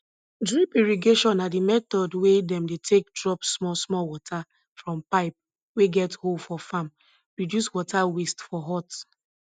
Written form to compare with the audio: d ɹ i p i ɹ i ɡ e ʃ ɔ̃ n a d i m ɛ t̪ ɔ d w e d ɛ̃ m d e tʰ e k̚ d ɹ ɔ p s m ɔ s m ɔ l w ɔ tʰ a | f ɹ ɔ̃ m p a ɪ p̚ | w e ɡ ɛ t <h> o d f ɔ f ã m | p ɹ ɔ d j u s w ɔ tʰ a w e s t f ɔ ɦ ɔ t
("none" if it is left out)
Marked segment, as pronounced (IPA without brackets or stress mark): h